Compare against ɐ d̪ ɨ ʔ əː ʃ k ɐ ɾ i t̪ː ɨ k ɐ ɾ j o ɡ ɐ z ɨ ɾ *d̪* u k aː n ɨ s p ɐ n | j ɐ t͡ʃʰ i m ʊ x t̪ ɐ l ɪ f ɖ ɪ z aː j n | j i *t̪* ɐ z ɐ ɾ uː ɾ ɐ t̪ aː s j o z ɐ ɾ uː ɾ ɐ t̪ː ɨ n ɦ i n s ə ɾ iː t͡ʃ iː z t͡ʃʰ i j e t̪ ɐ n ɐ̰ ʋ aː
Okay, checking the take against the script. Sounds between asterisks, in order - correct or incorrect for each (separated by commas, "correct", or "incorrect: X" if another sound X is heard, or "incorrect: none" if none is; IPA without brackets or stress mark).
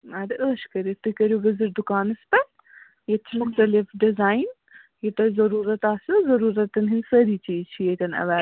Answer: correct, correct